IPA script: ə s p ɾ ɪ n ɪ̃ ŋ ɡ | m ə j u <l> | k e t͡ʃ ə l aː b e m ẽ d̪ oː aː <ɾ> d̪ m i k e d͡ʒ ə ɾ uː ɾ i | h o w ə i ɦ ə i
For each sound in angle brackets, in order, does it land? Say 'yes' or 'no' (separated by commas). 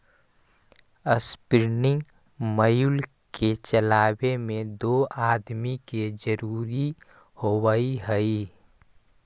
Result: yes, no